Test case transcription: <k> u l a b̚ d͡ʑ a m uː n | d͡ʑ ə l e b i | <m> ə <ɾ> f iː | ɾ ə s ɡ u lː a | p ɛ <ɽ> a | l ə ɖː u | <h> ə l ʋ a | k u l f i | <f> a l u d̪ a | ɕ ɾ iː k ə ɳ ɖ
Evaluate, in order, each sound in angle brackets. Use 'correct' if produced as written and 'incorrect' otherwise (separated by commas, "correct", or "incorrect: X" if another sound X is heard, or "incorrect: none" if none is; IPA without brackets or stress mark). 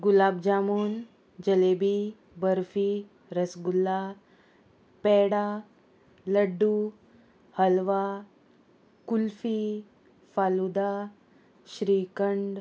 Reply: incorrect: ɡ, incorrect: b, correct, correct, correct, correct